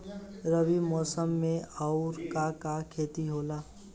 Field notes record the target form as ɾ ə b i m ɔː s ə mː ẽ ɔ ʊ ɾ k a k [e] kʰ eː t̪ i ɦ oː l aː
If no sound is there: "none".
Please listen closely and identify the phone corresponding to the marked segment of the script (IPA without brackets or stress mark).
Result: a